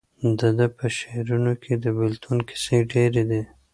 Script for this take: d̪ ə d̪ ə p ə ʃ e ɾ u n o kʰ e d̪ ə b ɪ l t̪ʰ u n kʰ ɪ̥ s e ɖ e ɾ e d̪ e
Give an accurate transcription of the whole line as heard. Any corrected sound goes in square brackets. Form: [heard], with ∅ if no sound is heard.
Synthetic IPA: d̪ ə d̪ ə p ə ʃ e ɾ u n o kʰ e d̪ ə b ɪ l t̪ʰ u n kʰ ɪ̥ s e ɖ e ɾ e d̪ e